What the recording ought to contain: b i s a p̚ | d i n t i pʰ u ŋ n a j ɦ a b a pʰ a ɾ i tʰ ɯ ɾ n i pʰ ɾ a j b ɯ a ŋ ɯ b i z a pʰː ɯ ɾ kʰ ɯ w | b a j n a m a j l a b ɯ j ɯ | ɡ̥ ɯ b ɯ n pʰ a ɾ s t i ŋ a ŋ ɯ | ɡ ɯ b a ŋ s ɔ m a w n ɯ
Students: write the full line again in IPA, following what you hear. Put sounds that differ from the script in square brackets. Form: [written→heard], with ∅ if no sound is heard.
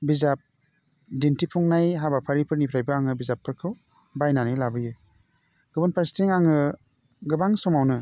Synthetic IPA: b i [s→z] a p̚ | d i n t i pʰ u ŋ n a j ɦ a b a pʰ a ɾ i [tʰ→pʰ] ɯ ɾ n i pʰ ɾ a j b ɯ a ŋ ɯ b i z a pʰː ɯ ɾ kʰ ɯ w | b a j n a [m→n] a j l a b ɯ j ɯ | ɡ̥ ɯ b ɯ n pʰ a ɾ s t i ŋ a ŋ ɯ | ɡ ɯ b a ŋ s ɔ m a w n ɯ